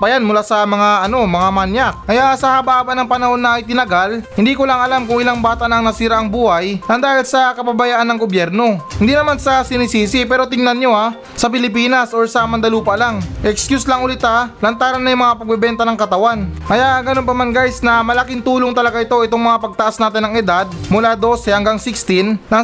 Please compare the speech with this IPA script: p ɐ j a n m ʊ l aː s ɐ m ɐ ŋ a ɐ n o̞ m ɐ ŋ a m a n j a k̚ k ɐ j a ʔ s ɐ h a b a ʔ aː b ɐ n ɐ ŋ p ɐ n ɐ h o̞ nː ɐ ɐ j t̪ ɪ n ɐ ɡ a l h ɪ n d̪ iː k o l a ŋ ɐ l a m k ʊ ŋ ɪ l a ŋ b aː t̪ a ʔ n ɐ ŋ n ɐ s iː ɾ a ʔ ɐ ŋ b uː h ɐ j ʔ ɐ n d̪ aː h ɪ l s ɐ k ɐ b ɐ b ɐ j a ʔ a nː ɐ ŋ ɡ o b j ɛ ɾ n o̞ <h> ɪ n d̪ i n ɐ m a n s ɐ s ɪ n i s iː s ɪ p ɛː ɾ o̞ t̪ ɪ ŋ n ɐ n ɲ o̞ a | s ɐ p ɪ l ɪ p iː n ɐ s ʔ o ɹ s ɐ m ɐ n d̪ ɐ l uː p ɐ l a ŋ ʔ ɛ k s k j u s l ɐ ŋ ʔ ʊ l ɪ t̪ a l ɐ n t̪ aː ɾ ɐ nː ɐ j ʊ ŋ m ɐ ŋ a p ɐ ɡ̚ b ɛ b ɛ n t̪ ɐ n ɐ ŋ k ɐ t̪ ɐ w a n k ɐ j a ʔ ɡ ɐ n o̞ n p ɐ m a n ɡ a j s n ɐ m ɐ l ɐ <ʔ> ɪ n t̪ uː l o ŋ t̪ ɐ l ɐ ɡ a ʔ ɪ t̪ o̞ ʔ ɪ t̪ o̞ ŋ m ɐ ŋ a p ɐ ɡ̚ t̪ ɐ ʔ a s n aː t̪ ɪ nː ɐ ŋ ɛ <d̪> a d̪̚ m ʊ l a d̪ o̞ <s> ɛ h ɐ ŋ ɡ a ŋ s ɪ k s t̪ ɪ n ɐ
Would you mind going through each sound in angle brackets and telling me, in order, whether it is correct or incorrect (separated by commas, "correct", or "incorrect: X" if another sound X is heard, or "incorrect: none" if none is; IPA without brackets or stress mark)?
correct, incorrect: k, correct, correct